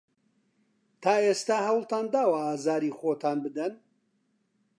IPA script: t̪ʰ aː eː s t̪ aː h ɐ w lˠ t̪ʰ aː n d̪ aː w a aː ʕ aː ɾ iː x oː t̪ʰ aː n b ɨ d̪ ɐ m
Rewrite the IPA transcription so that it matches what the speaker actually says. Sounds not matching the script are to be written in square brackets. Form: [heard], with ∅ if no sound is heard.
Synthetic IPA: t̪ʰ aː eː s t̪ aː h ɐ w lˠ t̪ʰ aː n d̪ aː w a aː [z] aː ɾ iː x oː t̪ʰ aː n b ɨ d̪ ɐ [n]